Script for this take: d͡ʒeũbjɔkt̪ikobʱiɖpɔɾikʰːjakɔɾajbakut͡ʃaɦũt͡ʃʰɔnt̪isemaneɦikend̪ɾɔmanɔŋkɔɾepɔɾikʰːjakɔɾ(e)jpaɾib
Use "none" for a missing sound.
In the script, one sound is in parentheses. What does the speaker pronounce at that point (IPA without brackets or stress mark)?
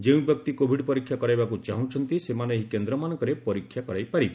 a